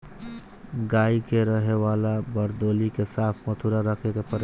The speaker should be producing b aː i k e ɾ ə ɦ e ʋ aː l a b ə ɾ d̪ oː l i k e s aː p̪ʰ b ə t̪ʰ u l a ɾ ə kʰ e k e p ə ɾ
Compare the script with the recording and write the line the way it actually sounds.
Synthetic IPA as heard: ɡ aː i k e ɾ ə ɦ e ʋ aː l a b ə ɾ d̪ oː l i k e s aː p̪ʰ m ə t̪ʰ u ɾ a ɾ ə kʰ e k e p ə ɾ